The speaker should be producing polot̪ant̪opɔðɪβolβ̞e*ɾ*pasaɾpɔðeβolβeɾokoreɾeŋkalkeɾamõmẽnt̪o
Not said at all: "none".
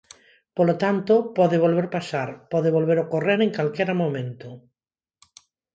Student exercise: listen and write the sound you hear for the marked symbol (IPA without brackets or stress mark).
ɾ